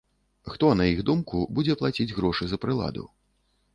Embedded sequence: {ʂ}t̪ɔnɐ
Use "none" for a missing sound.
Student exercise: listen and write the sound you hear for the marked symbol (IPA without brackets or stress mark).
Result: x